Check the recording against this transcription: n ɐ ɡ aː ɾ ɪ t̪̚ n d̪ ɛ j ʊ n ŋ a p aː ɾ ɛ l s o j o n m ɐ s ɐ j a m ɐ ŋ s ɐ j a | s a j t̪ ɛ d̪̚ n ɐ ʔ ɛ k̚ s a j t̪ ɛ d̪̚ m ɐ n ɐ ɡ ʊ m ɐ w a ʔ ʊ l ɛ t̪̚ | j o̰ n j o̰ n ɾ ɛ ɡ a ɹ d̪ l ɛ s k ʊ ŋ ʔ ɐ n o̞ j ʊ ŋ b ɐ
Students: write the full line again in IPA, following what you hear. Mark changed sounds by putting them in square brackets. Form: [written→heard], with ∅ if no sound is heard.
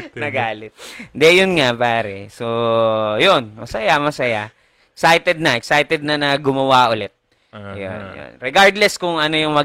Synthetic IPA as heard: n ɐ ɡ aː [ɾ→l] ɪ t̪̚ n d̪ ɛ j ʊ n ŋ a p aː ɾ ɛ [l→∅] s o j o n m ɐ s ɐ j a m ɐ [ŋ→∅] s ɐ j a | s a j t̪ ɛ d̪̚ n ɐ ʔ ɛ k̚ s a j t̪ ɛ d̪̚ [m→n] ɐ n ɐ ɡ ʊ m ɐ w a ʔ ʊ l ɛ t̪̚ | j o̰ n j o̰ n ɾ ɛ ɡ a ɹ d̪ l ɛ s k ʊ ŋ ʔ ɐ n o̞ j ʊ ŋ [b→m] ɐ